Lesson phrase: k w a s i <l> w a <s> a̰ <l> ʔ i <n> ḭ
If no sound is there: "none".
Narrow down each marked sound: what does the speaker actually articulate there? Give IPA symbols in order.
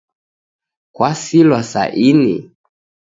l, s, none, n

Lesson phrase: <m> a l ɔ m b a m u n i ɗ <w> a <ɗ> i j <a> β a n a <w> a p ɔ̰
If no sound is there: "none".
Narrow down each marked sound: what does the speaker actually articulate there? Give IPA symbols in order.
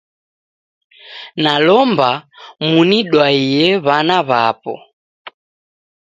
n, w, none, ɛ, β

